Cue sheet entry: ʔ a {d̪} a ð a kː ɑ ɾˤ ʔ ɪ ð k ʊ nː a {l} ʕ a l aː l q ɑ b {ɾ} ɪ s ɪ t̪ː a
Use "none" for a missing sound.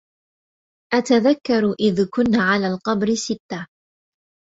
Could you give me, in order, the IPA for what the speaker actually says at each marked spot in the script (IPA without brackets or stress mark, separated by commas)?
t̪, none, ɾ